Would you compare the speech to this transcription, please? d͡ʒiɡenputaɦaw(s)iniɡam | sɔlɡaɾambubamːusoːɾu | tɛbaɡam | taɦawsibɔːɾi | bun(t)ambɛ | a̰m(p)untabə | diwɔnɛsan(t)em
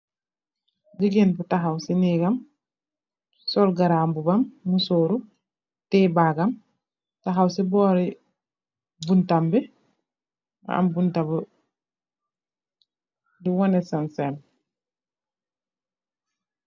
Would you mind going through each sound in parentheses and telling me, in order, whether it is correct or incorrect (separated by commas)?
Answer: correct, correct, incorrect, incorrect